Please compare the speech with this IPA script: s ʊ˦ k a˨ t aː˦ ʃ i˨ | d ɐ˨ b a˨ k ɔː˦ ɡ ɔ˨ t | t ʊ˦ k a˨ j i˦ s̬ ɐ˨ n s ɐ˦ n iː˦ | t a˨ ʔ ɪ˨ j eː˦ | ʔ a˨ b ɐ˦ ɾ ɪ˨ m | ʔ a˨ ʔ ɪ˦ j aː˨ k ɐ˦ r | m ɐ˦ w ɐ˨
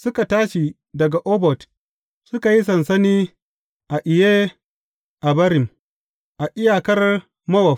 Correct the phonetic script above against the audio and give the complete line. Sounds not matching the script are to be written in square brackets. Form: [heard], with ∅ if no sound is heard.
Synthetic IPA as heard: s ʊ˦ k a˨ t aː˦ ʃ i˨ | d ɐ˨ [ɡ] a˨ [ʔ] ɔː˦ [b] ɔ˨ t | [s] ʊ˦ k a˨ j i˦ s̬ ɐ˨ n s ɐ˦ n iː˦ | [ʔ] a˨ ʔ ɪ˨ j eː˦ | ʔ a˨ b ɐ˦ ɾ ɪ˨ m | ʔ a˨ ʔ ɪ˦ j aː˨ k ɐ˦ r | m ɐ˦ w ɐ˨